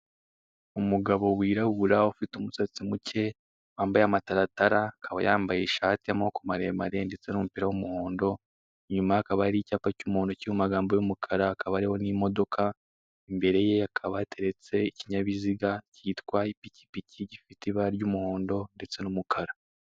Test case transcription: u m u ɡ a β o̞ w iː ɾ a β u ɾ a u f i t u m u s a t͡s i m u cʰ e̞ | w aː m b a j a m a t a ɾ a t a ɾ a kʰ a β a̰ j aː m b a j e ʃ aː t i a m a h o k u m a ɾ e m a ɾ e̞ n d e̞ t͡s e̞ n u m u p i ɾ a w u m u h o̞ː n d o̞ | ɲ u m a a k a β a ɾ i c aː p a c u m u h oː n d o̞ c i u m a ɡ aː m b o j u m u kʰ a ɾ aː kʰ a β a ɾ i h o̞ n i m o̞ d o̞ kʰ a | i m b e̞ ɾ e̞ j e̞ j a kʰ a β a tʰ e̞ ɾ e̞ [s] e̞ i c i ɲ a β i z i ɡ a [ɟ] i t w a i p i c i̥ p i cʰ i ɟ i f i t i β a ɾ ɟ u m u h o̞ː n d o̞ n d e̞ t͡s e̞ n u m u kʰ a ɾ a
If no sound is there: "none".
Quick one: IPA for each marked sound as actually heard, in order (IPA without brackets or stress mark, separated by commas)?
t͡s, c